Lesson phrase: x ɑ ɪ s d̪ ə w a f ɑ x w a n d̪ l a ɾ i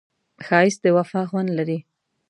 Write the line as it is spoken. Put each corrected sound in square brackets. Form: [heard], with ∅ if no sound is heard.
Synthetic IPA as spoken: x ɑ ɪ s d̪ ə w a f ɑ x w a n d̪ l a ɾ i